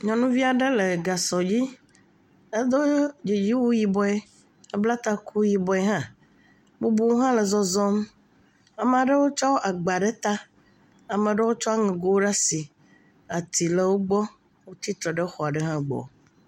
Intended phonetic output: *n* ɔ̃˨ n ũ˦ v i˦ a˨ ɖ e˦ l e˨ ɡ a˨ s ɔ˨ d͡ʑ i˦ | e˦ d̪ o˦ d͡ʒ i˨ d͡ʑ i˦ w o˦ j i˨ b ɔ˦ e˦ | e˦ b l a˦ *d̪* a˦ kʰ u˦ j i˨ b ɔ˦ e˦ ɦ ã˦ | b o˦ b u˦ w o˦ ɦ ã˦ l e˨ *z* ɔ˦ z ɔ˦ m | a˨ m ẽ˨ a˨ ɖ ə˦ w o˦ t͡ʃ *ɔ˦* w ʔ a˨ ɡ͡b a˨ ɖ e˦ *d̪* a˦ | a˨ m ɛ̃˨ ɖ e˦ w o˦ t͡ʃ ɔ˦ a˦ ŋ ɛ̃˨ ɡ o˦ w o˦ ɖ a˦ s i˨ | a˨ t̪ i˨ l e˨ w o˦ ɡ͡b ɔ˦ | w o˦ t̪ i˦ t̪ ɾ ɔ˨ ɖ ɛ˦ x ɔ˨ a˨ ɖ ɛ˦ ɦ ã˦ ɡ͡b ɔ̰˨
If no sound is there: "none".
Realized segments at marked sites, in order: ɲ, t̪, z, ɔ˦, t̪

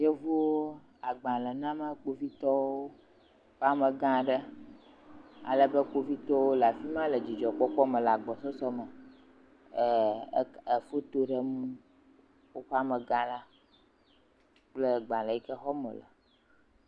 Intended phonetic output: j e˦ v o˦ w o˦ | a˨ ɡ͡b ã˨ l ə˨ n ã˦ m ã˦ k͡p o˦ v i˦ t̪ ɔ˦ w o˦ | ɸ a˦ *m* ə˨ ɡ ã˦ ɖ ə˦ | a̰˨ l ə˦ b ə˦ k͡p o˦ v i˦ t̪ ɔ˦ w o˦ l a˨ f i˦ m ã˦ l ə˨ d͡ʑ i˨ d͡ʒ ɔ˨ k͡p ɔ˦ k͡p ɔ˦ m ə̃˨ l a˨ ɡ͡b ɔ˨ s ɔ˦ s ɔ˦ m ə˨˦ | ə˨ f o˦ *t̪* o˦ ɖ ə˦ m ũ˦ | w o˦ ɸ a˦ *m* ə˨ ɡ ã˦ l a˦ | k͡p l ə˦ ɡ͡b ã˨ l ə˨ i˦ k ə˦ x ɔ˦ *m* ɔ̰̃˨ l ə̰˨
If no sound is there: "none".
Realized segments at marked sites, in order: m, t̪, m, m

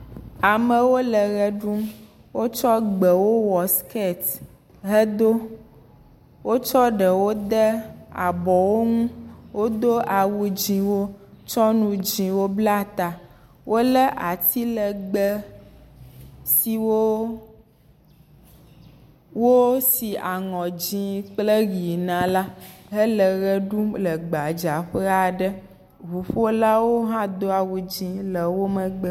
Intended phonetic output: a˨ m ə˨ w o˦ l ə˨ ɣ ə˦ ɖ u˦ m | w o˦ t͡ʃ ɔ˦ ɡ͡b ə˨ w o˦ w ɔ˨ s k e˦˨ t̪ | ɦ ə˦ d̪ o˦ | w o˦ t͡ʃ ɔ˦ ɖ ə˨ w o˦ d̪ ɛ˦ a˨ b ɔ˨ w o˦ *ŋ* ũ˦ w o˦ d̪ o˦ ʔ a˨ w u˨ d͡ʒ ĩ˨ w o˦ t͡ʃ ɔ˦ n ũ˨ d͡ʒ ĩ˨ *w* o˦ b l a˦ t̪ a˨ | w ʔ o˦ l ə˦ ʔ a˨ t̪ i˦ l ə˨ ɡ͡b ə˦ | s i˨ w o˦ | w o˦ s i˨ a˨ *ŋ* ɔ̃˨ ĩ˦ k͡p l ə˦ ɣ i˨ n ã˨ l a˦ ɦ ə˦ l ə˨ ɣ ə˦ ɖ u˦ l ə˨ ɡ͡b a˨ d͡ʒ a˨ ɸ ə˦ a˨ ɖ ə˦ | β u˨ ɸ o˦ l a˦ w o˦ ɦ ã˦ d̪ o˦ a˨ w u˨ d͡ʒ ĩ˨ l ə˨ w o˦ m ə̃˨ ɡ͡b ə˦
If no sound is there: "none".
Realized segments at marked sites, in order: ŋ, w, ŋ

